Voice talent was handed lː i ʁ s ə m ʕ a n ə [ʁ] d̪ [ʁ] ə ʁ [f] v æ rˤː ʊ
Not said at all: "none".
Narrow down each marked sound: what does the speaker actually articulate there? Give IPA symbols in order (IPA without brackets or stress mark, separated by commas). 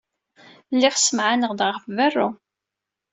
ʁ, ʁ, f